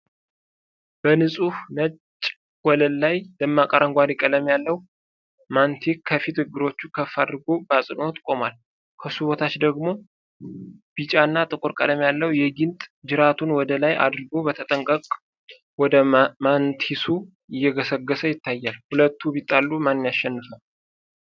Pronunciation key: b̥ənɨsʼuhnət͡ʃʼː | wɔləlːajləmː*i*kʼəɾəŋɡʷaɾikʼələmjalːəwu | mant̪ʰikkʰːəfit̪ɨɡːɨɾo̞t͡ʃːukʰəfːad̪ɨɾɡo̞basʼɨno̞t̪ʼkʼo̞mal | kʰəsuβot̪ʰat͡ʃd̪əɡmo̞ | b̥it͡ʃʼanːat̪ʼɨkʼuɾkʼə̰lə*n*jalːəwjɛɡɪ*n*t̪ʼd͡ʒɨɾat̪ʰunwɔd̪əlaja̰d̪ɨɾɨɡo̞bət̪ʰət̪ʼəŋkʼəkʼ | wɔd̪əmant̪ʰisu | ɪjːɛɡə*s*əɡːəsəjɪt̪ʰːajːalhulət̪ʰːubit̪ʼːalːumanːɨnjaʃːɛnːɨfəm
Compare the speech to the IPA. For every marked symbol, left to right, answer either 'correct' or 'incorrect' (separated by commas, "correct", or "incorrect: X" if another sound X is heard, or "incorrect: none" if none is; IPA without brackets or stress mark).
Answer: incorrect: a, incorrect: m, correct, correct